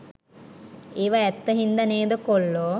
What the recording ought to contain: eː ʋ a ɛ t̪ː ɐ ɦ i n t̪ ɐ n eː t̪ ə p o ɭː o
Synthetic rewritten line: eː ʋ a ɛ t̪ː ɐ ɦ i n d̪ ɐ n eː d̪ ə k o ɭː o